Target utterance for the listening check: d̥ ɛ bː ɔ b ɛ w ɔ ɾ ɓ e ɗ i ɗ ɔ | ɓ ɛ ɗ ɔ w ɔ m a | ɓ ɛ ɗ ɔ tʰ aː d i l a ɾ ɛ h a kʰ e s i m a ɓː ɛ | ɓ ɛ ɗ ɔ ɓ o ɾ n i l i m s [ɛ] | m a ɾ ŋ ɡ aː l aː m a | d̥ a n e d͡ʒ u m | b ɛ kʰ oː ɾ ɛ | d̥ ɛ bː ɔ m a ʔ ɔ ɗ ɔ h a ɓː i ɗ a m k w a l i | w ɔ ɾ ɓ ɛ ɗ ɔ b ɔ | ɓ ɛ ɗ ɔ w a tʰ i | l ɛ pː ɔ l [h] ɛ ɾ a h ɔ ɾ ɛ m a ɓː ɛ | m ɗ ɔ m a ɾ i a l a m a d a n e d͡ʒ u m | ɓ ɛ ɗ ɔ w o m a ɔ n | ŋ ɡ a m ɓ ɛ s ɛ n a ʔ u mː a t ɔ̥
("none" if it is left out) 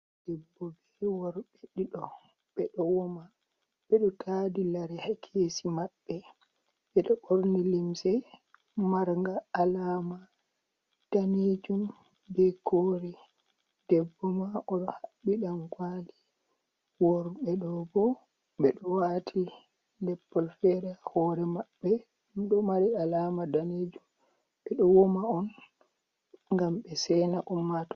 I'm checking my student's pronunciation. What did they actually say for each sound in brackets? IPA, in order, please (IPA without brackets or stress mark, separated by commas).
ɛ, f